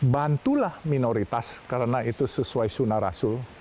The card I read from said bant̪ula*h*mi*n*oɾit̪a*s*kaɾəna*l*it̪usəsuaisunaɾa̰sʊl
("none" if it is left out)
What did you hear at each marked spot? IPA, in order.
h, n, s, none

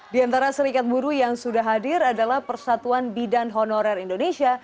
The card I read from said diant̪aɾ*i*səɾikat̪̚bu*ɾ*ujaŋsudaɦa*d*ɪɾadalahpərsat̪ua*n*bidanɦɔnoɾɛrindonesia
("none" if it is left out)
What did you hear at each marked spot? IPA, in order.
a, ɾ, d, n

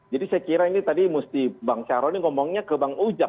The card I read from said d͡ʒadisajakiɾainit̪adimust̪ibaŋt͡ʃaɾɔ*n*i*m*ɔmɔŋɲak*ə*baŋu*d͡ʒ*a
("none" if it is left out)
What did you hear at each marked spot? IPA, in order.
n, ŋ, ə, d͡ʒ

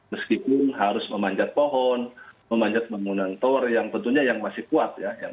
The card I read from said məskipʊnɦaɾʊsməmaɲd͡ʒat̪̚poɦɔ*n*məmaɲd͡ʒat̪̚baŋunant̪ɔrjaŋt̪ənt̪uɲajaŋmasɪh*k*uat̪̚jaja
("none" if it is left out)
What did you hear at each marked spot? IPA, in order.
n, k

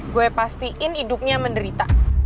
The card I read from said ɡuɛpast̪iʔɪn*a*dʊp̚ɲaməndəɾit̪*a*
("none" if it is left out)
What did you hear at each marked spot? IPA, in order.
i, a

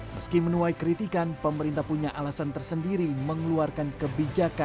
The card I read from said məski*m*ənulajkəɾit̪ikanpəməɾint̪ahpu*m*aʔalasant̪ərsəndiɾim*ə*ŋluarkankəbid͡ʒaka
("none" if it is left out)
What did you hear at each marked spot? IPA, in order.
m, ɲ, ə

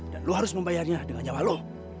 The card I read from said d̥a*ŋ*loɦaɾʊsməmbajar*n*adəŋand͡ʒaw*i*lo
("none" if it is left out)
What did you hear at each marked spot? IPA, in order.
n, ɲ, a

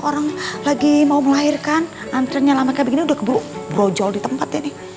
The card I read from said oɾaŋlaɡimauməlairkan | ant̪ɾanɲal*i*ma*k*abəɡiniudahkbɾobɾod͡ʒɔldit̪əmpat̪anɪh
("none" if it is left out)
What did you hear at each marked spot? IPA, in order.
a, k

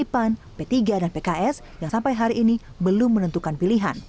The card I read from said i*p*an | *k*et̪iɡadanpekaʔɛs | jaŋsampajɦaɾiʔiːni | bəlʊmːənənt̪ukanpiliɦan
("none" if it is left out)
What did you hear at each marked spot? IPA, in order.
p, p

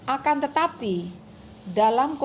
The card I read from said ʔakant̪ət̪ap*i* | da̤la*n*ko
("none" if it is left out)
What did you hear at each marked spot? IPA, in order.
i, m

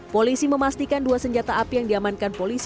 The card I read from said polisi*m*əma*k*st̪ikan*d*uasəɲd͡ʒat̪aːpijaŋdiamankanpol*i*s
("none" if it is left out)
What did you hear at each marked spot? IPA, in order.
m, none, d, i

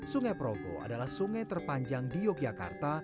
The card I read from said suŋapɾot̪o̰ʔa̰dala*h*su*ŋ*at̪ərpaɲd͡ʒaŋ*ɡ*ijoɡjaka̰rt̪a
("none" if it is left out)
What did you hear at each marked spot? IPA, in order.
h, ŋ, d

